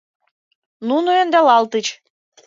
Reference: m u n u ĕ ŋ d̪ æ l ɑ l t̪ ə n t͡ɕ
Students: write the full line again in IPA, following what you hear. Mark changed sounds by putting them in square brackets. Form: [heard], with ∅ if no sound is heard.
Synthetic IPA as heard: [n] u n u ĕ [n] d̪ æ l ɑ l t̪ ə [∅] t͡ɕ